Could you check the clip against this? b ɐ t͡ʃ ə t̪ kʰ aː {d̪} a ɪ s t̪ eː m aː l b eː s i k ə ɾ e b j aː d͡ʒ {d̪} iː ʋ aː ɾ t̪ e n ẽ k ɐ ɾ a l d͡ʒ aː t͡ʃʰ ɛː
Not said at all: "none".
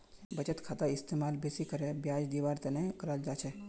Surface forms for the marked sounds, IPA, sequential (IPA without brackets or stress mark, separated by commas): t̪, d̪